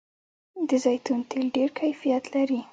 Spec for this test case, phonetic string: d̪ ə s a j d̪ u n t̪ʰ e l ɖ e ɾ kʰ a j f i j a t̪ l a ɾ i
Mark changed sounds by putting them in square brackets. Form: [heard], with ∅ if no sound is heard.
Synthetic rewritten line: d̪ ə [z] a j [t̪] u n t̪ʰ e l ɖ e ɾ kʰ a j f i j a t̪ l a ɾ i